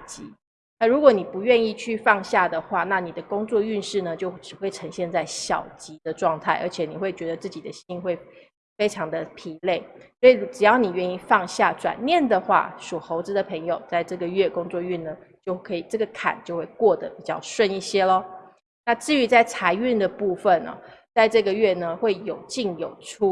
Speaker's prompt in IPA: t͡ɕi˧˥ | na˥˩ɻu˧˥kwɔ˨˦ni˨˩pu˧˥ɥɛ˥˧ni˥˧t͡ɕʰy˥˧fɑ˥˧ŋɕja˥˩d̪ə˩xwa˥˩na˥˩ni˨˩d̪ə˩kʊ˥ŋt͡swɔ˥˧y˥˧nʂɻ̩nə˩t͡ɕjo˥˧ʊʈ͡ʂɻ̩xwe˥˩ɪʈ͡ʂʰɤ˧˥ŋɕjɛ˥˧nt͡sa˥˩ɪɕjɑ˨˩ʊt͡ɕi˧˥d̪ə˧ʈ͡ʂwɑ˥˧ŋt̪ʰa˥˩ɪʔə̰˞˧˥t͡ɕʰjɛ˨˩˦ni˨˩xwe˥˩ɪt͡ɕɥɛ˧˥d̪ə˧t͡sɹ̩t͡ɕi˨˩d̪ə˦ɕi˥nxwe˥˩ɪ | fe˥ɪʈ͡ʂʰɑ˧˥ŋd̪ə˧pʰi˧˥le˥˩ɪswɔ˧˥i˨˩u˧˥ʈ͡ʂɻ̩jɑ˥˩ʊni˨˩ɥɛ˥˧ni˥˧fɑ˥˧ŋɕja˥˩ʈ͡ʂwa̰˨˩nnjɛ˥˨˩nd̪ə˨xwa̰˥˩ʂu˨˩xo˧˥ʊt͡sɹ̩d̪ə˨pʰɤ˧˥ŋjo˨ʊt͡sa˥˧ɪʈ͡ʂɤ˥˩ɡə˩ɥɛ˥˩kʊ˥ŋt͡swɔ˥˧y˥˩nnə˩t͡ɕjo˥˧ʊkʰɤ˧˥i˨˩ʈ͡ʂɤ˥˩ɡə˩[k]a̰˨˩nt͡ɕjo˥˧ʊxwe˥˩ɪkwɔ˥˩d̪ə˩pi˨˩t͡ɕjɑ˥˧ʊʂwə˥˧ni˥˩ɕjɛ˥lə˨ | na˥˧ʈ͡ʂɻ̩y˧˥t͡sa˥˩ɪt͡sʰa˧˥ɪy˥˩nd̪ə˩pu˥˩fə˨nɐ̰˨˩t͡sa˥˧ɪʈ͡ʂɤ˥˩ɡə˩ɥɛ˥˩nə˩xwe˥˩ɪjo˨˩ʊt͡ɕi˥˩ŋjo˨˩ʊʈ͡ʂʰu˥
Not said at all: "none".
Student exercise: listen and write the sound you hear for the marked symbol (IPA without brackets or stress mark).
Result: kʰ